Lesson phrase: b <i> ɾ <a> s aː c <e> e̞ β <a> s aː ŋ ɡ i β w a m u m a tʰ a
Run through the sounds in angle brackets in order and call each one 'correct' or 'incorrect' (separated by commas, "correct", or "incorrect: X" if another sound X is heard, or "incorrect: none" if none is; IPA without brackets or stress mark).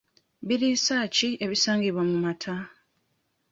correct, incorrect: i, incorrect: i, incorrect: i